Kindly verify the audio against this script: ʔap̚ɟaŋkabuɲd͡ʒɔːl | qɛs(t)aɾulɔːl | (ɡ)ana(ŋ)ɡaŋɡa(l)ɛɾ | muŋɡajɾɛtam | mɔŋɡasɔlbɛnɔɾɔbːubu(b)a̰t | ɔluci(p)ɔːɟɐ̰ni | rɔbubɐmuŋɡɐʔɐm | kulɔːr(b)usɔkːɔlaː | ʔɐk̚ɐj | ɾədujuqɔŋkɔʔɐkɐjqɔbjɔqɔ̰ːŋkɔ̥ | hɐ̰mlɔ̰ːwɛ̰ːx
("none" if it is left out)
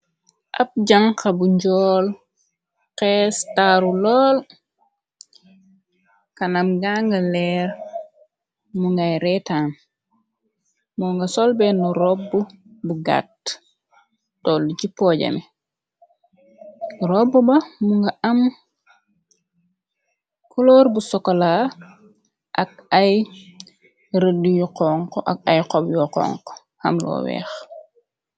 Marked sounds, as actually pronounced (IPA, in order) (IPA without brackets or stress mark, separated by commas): t, k, m, l, ɡ, p, b